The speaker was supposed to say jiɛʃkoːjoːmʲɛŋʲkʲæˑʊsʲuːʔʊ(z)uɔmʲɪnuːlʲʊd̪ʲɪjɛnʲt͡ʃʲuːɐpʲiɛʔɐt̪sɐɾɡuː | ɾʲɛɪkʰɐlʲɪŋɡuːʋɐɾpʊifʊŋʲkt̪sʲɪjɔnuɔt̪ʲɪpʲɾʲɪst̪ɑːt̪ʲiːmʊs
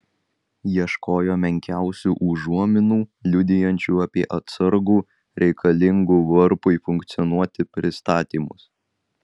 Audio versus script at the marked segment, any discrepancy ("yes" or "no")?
yes